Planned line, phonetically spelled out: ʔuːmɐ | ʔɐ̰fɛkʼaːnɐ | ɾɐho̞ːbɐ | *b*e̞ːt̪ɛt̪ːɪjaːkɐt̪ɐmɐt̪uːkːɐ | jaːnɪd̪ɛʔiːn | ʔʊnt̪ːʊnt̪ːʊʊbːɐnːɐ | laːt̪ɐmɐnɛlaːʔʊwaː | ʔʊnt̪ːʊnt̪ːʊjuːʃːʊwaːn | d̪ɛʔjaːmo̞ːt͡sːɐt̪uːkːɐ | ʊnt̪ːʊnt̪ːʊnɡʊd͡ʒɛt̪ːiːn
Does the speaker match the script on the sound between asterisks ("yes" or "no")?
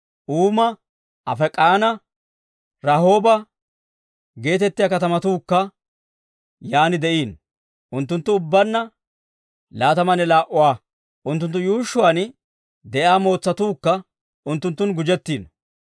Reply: no